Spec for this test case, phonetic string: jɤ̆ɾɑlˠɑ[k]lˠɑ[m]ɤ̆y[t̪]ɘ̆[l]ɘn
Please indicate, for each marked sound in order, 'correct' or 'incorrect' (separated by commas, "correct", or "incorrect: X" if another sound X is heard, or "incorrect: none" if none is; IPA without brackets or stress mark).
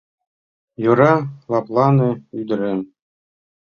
incorrect: p, incorrect: n, incorrect: d̪, incorrect: ɾ